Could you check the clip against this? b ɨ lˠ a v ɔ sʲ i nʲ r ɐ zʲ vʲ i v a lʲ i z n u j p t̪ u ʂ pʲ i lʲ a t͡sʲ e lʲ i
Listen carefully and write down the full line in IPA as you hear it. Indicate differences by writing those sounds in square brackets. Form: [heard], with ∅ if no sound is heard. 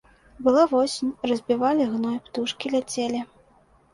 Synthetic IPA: b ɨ lˠ a v ɔ sʲ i nʲ r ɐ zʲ [bʲ] i v a lʲ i [ɣ] n [ɔ] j p t̪ u ʂ [kʲ] i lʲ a t͡sʲ e lʲ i